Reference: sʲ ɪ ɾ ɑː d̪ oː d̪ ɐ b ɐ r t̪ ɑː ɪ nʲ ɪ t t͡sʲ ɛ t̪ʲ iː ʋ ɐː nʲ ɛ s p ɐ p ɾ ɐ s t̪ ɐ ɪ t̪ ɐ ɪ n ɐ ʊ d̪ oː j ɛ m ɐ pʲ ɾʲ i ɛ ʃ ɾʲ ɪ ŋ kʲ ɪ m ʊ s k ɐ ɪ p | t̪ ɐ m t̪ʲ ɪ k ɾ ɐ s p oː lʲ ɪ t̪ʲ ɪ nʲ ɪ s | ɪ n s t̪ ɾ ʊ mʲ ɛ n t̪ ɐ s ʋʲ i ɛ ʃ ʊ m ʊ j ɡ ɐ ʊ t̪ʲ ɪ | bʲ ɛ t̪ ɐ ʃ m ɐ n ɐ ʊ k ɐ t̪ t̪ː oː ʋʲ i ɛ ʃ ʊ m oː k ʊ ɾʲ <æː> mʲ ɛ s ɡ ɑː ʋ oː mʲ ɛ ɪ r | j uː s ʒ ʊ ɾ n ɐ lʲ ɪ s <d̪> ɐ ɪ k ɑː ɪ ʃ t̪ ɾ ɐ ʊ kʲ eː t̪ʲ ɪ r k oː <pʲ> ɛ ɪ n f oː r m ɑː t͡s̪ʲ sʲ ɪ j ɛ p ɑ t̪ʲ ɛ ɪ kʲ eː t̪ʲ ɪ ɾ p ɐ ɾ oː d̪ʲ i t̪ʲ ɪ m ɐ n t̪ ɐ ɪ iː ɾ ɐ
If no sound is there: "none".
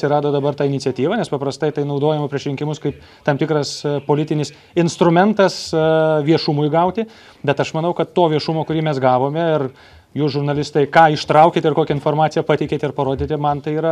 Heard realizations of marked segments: iː, t̪, kʲ

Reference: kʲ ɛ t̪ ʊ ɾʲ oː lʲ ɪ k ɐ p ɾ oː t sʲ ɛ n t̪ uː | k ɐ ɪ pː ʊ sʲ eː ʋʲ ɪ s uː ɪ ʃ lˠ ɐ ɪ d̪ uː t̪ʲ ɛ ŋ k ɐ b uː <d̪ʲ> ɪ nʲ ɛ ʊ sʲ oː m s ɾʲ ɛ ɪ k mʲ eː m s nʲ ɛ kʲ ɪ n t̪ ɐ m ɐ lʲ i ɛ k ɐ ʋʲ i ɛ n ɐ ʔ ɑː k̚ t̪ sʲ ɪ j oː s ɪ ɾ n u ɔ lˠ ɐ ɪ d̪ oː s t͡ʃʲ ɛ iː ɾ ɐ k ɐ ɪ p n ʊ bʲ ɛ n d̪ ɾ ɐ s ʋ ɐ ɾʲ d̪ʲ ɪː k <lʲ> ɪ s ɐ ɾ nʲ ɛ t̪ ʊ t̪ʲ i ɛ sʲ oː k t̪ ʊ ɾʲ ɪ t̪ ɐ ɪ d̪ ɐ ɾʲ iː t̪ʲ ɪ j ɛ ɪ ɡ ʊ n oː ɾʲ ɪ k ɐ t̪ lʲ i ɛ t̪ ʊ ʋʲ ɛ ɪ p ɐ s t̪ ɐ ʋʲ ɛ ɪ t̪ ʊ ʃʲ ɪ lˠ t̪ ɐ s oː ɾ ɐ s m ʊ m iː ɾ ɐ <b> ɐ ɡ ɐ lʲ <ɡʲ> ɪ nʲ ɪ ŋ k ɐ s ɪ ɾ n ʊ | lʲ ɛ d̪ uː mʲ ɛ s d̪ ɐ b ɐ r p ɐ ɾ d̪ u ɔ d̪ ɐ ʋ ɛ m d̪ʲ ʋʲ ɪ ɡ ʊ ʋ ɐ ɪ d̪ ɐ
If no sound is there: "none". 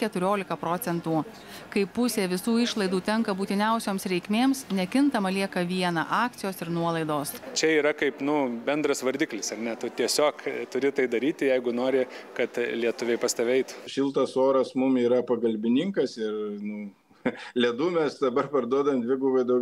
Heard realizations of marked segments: t̪ʲ, lʲ, p, bʲ

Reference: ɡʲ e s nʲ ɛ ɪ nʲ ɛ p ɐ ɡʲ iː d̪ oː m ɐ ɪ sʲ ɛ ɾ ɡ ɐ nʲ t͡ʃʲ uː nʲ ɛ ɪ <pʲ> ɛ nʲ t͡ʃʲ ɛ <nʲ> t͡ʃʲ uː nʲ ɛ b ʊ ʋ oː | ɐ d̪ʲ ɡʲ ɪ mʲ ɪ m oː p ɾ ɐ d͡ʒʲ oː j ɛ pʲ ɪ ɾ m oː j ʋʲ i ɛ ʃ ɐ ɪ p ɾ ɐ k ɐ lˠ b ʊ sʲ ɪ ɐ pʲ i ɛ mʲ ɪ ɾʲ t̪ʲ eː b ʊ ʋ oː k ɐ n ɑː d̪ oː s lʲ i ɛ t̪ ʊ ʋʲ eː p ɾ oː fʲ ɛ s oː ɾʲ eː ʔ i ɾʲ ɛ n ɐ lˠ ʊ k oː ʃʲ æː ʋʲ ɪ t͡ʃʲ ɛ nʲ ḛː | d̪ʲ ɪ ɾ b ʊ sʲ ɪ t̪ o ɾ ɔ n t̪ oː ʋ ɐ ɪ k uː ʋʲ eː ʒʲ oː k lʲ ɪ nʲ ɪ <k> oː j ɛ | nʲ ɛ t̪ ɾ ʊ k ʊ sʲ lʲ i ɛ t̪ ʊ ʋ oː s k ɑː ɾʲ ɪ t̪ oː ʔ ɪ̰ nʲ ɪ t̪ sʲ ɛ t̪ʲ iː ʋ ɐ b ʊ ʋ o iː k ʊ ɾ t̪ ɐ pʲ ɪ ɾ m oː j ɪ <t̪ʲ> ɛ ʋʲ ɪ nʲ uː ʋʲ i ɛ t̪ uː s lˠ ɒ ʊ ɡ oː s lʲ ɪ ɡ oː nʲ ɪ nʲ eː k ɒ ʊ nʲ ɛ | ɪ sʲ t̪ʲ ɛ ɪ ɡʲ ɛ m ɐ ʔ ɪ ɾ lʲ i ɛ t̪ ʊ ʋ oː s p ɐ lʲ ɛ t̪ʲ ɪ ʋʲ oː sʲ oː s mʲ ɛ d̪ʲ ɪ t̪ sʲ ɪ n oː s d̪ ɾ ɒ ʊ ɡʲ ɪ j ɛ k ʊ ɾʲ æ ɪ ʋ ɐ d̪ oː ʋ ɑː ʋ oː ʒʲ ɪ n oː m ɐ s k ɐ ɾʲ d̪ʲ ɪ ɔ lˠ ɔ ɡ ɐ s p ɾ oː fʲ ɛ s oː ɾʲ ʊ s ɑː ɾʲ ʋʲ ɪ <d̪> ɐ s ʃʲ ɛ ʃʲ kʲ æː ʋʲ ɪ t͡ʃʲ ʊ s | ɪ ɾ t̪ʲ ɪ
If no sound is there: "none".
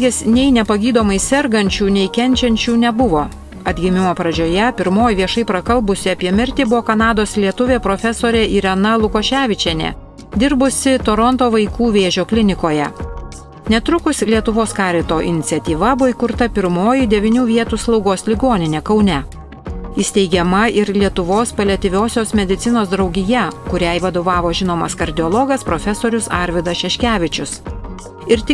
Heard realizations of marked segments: kʲ, nʲ, k, d̪ʲ, d̪

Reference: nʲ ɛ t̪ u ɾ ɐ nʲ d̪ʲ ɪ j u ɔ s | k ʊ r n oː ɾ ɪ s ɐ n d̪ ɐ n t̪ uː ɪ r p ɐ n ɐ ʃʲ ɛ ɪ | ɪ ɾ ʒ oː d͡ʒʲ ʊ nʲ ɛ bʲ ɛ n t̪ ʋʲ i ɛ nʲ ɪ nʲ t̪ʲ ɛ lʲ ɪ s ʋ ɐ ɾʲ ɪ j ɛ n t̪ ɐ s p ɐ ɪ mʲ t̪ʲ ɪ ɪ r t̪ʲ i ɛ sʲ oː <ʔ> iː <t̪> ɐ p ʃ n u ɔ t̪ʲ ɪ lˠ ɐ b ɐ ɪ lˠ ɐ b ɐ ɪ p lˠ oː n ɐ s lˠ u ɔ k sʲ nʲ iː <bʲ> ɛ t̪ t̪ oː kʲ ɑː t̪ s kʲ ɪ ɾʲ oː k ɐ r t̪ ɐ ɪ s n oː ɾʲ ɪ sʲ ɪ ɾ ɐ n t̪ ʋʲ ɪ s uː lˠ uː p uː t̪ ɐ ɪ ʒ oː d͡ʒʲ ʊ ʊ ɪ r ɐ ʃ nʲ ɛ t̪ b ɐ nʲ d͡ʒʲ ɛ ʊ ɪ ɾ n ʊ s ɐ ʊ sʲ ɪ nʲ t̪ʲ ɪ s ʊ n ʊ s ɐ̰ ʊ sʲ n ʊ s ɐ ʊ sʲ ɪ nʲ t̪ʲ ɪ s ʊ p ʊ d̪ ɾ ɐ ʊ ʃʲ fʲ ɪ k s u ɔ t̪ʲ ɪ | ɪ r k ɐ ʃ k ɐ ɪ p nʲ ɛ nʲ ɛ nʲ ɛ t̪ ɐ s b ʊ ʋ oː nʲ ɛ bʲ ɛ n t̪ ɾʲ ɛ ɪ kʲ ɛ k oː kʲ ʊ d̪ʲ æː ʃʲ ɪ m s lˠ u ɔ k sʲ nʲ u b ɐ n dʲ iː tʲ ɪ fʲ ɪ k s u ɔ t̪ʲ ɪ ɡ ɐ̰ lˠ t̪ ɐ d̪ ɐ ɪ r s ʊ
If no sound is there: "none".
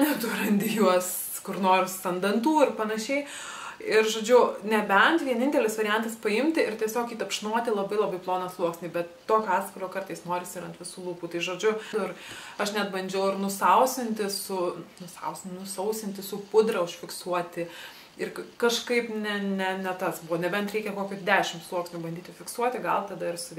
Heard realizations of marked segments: k, t̪, bʲ

